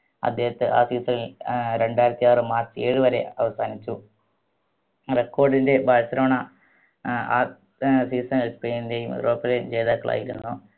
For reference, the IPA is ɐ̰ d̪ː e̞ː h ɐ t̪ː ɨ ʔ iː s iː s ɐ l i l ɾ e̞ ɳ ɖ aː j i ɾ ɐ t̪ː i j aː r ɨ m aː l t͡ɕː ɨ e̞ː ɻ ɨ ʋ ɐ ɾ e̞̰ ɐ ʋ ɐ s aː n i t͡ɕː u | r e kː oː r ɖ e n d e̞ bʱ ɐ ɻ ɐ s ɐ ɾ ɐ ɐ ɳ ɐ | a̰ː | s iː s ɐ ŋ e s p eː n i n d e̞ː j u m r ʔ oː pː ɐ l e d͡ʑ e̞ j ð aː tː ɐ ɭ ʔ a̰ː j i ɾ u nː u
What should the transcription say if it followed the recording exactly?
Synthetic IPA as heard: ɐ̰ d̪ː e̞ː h ɐ t̪ː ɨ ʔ aː s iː s ɐ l i l ɾ e̞ ɳ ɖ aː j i ɾ ɐ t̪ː i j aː r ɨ m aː r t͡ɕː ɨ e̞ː ɻ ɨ ʋ ɐ ɾ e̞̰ ɐ ʋ ɐ s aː n i t͡ɕː u | r e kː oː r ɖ i n d e̞ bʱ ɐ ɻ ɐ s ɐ ɾ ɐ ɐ ɳ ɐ | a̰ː | s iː s ɐ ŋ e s p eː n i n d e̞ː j u m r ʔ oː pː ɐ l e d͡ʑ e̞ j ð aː kː ɐ ɭ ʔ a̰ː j i ɾ u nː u